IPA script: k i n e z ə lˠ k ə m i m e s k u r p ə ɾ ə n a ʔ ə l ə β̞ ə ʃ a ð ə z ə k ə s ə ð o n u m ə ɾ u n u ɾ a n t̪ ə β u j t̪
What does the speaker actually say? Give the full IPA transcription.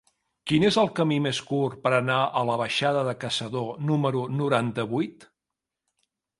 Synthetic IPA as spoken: k i n e z ə lˠ k ə m i m e s k u r p ə ɾ ə n a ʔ ə l ə β̞ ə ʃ a ð ə ð ə k ə s ə ð o n u m ə ɾ u n u ɾ a n t̪ ə β u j t̪